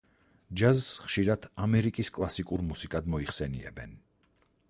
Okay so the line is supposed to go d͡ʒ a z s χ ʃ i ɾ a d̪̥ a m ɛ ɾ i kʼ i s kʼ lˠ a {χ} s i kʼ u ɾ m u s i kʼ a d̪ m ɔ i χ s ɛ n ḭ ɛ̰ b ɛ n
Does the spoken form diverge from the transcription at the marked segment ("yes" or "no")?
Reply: yes